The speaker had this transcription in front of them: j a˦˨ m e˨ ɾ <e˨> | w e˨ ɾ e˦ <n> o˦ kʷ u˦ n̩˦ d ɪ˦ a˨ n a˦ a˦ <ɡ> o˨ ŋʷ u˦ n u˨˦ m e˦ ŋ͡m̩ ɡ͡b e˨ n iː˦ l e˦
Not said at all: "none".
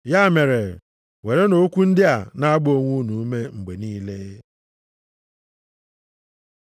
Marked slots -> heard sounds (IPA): e˨, n, ɡ͡b

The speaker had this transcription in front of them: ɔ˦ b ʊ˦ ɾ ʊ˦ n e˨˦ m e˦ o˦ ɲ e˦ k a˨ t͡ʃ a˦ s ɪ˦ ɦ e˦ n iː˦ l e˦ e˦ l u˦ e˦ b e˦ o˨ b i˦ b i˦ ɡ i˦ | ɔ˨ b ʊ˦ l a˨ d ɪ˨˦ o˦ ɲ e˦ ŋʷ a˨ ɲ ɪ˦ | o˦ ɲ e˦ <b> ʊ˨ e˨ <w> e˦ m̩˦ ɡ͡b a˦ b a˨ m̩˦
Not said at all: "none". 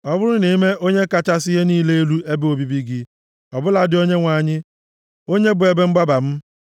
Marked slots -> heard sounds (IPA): b, b

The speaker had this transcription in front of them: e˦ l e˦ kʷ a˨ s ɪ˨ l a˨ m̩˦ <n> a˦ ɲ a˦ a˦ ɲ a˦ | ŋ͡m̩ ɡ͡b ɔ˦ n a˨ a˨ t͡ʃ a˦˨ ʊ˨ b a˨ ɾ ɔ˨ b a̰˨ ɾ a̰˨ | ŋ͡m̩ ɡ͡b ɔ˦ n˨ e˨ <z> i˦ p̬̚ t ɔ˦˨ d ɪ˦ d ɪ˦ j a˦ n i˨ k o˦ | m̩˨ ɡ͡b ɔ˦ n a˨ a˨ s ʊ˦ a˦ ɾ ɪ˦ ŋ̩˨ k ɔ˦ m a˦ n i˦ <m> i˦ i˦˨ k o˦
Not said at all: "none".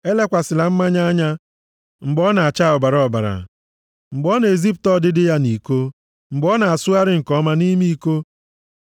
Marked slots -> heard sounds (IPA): m, z, m

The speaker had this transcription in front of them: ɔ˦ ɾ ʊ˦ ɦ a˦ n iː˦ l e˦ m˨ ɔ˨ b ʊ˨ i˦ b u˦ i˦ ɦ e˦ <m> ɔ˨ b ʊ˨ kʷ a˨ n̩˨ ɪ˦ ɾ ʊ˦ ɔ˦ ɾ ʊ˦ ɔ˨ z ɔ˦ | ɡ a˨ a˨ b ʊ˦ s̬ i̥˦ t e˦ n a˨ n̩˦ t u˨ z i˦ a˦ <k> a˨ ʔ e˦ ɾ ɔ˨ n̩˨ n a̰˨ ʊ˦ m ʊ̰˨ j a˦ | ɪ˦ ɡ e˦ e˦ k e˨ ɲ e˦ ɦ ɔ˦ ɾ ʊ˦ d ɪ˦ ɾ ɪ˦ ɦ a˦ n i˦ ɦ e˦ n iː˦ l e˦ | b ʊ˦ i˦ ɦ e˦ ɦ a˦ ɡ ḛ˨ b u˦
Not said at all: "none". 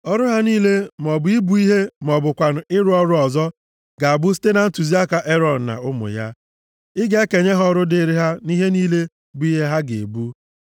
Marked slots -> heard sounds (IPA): m, k

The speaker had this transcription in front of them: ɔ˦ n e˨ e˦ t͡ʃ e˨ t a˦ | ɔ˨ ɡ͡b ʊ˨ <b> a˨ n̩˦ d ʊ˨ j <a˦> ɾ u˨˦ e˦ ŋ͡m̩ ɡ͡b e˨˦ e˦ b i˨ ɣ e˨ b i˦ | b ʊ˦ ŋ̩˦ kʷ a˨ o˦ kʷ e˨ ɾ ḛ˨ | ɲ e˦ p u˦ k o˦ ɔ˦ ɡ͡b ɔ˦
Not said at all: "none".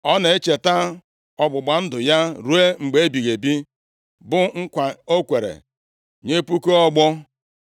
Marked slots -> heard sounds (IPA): ɡ͡b, a˦

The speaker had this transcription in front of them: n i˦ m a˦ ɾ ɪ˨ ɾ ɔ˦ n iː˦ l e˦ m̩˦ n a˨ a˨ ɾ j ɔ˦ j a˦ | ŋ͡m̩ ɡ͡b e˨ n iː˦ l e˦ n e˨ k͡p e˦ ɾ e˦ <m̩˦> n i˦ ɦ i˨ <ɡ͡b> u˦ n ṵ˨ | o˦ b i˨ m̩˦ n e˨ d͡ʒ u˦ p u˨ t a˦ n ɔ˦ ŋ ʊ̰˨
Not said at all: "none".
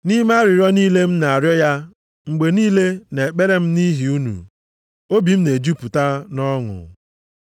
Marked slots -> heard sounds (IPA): m̩˦, none

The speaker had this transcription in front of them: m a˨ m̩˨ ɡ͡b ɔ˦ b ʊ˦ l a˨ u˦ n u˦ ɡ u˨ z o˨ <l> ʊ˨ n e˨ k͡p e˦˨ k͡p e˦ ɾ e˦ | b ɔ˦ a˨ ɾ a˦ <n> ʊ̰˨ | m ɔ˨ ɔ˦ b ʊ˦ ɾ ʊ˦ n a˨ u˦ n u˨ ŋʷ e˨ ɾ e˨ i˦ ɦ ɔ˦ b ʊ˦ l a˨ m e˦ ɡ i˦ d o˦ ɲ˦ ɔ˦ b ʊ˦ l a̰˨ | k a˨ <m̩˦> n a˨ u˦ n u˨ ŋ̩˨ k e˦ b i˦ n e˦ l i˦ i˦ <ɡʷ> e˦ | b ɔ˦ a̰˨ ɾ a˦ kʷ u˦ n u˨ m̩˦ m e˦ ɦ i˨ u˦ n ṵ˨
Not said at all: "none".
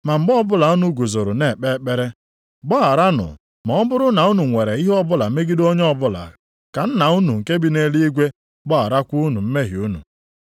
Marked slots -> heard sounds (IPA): ɾ, n, n̩˦, ɡʷ

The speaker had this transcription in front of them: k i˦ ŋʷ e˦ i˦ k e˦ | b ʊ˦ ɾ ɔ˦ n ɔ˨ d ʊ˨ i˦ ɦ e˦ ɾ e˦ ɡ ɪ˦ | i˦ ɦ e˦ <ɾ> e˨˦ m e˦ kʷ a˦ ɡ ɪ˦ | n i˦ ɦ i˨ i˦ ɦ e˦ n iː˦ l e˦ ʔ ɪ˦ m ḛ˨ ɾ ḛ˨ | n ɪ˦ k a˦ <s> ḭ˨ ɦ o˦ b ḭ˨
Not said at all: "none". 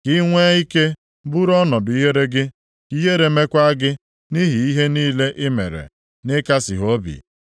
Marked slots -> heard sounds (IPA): ɾ, s

